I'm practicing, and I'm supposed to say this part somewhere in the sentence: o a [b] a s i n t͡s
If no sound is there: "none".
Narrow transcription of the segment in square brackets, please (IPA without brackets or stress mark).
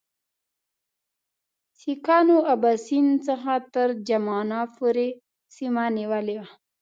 b